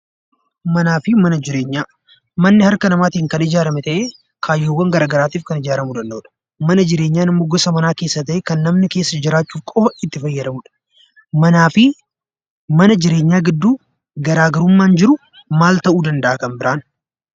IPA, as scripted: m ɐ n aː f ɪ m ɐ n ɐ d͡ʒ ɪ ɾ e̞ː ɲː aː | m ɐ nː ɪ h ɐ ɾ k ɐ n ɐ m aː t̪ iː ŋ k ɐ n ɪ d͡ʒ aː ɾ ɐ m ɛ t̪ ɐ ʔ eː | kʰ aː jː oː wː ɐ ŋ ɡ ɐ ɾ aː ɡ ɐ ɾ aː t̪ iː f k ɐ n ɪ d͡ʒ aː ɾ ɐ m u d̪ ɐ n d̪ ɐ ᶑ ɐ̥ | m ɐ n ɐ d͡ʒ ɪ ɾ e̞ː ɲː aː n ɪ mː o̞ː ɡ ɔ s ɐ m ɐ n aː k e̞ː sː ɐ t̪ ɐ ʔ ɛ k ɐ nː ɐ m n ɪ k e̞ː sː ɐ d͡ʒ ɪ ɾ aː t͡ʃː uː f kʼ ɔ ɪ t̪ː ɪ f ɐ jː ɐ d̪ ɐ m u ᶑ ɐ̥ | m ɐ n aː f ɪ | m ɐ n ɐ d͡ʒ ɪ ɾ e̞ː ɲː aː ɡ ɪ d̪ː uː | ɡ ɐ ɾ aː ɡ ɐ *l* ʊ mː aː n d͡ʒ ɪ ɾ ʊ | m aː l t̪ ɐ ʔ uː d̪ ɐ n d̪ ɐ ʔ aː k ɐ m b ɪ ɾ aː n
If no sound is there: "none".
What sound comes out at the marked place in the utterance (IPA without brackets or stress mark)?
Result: ɾ